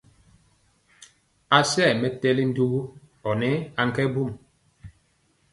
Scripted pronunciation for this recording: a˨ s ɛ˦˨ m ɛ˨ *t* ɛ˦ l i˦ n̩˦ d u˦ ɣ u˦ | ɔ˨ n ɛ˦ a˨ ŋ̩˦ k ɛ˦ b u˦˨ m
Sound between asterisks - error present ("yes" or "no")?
no